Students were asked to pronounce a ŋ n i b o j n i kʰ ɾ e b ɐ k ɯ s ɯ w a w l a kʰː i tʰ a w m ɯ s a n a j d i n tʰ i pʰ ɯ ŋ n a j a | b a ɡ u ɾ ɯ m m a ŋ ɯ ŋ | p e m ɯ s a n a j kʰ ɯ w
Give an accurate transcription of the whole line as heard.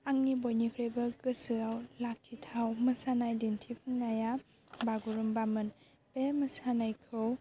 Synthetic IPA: a ŋ n i b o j n i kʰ ɾ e b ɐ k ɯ s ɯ a w l a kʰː i tʰ a w m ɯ s a n a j d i n tʰ i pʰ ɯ ŋ n a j a | b a ɡ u ɾ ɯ m b a m ɯ n | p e m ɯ s a n a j kʰ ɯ w